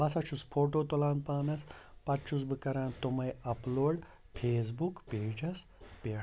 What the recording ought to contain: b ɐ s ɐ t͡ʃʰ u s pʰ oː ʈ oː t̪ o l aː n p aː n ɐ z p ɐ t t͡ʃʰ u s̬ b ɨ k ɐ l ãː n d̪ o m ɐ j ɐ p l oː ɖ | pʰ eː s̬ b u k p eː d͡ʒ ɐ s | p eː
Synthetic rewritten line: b ɐ s ɐ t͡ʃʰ u s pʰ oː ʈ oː t̪ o l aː n p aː n ɐ s p ɐ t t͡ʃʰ u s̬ b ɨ k ɐ ɾ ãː n t̪ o m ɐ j ɐ p l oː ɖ | pʰ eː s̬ b u k p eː d͡ʒ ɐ s | p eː